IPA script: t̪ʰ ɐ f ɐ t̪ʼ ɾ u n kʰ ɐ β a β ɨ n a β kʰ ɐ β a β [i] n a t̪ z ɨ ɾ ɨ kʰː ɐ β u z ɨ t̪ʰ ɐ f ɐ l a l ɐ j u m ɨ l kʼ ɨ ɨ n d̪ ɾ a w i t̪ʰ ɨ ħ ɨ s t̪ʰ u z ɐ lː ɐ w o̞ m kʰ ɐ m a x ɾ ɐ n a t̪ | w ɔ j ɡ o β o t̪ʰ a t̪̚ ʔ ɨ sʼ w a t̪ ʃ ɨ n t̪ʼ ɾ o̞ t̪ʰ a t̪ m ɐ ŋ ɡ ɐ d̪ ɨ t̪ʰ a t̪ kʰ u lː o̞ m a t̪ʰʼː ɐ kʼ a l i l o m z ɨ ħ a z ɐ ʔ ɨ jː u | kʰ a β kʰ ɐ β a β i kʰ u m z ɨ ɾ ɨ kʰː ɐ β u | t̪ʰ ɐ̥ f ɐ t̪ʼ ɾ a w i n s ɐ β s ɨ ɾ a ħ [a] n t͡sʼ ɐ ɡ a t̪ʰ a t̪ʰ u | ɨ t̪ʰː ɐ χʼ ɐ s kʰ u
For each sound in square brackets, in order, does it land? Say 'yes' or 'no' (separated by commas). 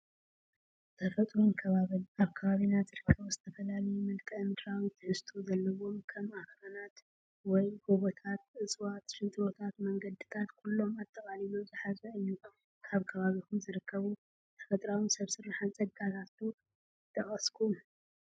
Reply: yes, yes